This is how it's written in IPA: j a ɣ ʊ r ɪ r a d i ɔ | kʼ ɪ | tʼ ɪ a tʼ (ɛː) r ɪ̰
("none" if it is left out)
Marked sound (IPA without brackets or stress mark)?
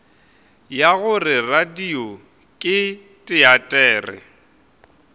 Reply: ɛː